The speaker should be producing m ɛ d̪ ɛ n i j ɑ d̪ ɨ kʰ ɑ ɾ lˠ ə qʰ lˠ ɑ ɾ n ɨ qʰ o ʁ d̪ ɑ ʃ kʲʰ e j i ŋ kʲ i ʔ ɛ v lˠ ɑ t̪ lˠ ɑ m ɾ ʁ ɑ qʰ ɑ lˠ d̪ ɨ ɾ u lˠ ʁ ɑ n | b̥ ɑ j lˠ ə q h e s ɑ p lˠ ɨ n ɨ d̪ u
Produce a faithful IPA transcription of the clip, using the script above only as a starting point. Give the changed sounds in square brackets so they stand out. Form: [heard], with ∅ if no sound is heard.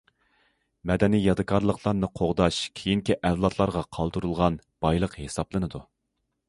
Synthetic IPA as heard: m ɛ d̪ ɛ n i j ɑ d̪ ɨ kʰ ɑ ɾ lˠ ə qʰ lˠ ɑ ɾ n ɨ qʰ o ʁ d̪ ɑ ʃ kʲʰ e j i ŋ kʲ i ʔ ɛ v lˠ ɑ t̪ lˠ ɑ [∅] ɾ ʁ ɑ qʰ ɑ lˠ d̪ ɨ ɾ u lˠ ʁ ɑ n | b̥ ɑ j lˠ ə q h e s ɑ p lˠ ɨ n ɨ d̪ u